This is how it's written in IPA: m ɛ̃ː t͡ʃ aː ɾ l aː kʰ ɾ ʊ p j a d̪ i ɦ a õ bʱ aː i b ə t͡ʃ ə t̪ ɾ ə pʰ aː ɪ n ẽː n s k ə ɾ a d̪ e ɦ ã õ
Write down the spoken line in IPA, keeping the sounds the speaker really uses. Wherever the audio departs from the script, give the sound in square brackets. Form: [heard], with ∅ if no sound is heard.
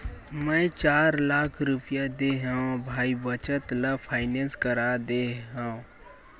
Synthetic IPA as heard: m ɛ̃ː t͡ʃ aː ɾ l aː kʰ ɾ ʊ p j a d̪ [e] ɦ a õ bʱ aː i b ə t͡ʃ ə t̪ [l] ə pʰ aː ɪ n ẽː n s k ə ɾ a d̪ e ɦ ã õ